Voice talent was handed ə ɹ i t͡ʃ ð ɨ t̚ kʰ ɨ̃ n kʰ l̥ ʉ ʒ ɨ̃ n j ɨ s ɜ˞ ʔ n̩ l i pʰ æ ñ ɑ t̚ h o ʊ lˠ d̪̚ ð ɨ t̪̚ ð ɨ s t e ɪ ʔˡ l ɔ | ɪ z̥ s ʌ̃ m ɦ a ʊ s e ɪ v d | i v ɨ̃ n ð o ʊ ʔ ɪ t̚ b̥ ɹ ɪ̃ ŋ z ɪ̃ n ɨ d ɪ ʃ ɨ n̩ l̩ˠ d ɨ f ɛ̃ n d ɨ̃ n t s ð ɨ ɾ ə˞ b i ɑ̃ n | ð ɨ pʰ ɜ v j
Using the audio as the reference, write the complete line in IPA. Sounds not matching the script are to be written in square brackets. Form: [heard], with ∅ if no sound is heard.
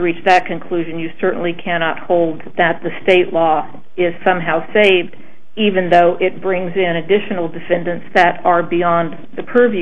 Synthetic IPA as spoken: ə ɹ i t͡ʃ ð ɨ t̚ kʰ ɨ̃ n kʰ l̥ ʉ ʒ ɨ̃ n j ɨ s ɜ˞ ʔ n̩ l i [kʰ] æ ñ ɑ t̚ h o ʊ lˠ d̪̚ ð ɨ t̪̚ ð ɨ s t e ɪ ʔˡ l ɔ | ɪ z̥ s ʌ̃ m ɦ a ʊ s e ɪ v d | i v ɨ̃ n ð o ʊ ʔ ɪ t̚ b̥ ɹ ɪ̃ ŋ z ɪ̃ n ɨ d ɪ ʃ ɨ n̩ l̩ˠ d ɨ f ɛ̃ n d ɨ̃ n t s ð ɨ ɾ ə˞ b i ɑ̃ n | ð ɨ pʰ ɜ v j